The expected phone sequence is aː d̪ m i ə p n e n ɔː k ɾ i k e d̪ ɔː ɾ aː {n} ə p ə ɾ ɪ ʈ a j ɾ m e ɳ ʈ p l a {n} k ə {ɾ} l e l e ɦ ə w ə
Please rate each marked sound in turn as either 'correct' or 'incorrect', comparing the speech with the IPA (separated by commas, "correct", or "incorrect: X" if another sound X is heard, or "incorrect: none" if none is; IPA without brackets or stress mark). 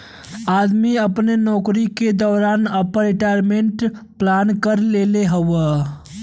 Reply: correct, correct, correct